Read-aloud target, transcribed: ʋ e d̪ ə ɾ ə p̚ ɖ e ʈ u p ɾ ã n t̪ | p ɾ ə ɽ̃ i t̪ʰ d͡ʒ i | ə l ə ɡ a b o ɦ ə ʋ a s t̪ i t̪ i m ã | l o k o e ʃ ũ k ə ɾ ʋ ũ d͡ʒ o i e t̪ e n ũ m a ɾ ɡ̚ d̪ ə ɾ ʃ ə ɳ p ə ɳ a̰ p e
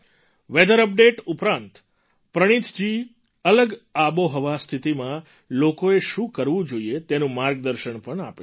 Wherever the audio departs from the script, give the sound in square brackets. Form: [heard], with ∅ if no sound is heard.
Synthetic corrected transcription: ʋ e d̪ ə ɾ ə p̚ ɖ e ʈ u p ɾ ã n t̪ | p ɾ ə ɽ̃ i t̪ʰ d͡ʒ i | ə l ə ɡ a b o ɦ ə ʋ a s [t̪ʰ] i t̪ i m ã | l o k o e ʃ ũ k ə ɾ ʋ ũ d͡ʒ o i e t̪ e n ũ m a ɾ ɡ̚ d̪ ə ɾ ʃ ə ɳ p ə ɳ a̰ p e